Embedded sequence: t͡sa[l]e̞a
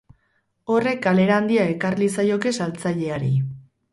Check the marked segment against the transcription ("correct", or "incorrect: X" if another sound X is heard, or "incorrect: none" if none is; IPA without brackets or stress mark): incorrect: ʎ